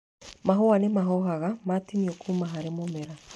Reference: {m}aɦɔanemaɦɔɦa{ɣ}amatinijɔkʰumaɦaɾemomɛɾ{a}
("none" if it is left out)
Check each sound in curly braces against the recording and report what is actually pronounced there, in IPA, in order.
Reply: m, ɣ, a

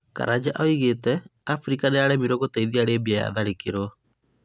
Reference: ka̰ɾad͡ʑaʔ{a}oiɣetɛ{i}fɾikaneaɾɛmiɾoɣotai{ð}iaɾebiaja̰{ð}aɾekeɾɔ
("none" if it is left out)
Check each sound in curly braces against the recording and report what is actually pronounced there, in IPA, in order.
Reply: a, a, ð, ð

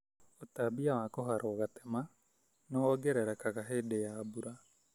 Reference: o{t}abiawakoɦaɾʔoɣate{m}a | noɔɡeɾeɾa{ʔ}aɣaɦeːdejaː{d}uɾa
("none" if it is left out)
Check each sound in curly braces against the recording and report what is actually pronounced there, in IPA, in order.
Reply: t, m, k, b

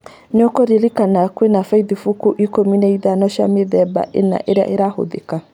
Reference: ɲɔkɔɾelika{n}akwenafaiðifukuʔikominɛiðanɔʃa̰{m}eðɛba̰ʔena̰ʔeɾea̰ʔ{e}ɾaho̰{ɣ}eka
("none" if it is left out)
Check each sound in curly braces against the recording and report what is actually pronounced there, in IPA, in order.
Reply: n, m, e, ð

